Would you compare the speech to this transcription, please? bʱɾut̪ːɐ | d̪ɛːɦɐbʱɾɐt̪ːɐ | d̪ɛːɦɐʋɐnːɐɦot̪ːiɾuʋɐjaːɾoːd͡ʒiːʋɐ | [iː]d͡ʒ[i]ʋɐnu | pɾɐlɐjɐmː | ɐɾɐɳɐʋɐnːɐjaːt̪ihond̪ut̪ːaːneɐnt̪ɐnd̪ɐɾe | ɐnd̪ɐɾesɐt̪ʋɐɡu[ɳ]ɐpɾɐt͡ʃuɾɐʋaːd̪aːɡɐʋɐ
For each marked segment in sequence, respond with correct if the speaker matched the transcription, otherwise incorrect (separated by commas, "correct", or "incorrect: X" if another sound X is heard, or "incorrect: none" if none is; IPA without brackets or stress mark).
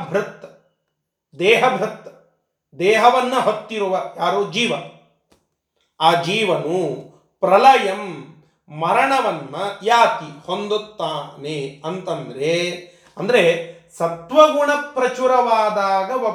incorrect: aː, incorrect: iː, correct